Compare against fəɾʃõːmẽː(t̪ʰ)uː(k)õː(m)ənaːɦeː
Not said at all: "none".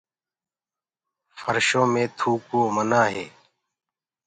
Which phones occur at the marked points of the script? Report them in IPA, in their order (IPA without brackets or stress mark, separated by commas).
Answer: t̪ʰ, k, m